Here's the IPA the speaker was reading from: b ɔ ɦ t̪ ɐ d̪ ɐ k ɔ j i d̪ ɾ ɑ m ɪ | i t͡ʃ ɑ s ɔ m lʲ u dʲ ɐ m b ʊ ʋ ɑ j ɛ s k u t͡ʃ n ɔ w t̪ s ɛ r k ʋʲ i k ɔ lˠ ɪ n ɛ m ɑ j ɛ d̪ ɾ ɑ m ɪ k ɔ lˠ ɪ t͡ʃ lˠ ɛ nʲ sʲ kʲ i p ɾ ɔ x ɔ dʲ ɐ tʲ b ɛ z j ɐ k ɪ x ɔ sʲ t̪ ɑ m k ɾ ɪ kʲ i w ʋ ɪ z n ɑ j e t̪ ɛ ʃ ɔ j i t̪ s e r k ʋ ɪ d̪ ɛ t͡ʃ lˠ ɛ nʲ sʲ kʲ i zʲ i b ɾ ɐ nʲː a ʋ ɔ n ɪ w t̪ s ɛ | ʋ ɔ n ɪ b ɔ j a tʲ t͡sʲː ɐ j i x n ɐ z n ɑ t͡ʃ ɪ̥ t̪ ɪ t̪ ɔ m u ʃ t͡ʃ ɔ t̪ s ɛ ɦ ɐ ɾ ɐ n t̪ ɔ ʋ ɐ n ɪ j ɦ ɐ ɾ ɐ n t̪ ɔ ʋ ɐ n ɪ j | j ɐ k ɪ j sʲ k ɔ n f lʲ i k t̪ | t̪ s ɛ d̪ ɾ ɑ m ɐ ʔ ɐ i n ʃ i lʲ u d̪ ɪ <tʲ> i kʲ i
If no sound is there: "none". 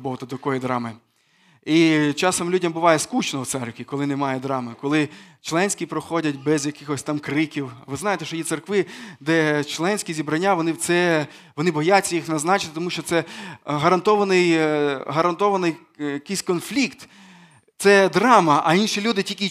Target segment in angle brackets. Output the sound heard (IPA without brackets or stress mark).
tʲ